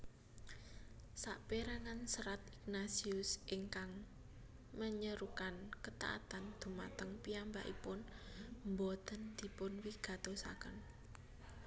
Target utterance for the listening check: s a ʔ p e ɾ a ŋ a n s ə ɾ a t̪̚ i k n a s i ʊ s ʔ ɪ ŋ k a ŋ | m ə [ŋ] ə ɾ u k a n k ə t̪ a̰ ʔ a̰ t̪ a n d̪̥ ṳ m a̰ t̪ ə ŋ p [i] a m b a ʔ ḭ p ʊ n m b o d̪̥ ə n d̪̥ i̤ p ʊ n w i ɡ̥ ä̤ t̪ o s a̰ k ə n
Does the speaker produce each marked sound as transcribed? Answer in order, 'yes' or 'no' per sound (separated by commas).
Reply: no, yes